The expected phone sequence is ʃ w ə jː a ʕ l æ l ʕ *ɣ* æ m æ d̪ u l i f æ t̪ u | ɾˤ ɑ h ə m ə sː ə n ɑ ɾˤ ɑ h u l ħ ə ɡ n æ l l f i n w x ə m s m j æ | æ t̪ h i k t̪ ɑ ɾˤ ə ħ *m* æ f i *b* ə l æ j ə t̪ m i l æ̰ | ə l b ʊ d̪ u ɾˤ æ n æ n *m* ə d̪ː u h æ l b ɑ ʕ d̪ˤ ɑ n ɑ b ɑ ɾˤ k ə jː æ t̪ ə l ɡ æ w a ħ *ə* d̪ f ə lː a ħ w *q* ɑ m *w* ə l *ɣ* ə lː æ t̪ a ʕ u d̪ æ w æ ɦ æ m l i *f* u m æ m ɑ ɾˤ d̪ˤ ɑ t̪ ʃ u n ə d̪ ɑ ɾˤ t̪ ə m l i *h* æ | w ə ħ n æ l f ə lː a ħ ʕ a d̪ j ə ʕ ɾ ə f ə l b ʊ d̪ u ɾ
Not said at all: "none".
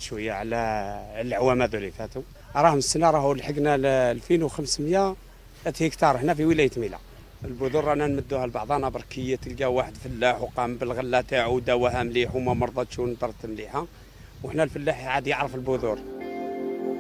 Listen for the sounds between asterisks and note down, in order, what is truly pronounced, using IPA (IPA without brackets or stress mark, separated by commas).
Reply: w, n, w, m, ə, q, b, ɣ, ħ, ħ